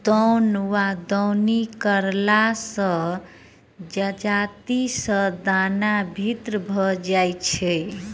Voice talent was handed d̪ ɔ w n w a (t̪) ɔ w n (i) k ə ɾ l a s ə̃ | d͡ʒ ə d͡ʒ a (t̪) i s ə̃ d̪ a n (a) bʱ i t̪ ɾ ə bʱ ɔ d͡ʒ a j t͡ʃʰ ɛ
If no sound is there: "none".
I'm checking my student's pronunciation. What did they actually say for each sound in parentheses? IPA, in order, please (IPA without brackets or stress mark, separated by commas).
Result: d̪, i, t̪, a